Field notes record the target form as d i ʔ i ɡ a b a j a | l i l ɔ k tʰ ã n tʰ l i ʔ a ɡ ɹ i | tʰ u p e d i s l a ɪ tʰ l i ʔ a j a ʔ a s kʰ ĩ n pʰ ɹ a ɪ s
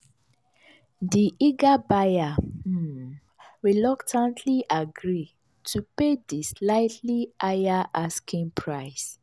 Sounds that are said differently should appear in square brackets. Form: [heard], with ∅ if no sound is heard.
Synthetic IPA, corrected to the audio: d i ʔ i ɡ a b a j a | [ɹ] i l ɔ k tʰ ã n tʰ l i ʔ a ɡ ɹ i | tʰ u p e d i s l a ɪ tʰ l i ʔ a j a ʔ a s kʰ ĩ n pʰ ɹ a ɪ s